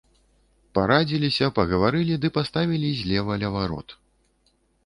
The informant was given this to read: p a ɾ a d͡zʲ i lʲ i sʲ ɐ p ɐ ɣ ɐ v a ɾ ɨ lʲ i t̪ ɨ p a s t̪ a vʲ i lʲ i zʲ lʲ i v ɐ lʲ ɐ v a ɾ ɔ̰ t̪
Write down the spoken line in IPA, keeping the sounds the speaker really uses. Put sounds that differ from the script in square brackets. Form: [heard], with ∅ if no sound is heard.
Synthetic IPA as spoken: p a ɾ a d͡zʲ i lʲ i sʲ ɐ p ɐ ɣ ɐ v a ɾ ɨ lʲ i [d̪] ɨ p a s t̪ a vʲ i lʲ i zʲ lʲ [ɛ] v ɐ lʲ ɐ v a ɾ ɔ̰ t̪